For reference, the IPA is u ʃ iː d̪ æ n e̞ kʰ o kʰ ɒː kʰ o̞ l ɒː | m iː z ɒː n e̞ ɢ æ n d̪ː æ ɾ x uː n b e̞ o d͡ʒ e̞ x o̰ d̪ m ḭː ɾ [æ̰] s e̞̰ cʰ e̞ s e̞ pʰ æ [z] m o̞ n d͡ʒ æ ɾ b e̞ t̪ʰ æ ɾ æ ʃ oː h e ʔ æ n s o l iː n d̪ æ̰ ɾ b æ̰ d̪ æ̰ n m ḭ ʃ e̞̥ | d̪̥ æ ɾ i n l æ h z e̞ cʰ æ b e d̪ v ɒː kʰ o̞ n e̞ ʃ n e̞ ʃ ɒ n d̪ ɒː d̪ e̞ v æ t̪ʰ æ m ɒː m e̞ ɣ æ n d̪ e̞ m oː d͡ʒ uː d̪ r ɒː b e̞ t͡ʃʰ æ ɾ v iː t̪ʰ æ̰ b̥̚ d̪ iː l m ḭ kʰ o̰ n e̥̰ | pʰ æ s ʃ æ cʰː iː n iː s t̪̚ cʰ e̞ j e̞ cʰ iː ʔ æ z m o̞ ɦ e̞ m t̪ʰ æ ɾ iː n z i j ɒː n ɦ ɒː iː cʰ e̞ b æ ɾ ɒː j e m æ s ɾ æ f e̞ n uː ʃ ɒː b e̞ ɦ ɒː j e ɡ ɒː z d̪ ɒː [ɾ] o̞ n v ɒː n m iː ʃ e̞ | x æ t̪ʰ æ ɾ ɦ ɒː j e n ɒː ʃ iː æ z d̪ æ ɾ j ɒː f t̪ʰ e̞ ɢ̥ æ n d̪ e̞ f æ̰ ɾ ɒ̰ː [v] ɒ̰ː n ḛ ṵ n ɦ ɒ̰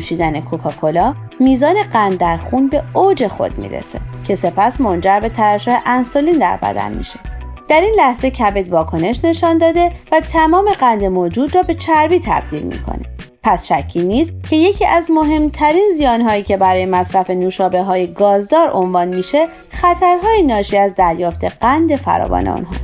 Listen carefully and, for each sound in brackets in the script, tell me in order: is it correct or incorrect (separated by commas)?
incorrect, incorrect, correct, correct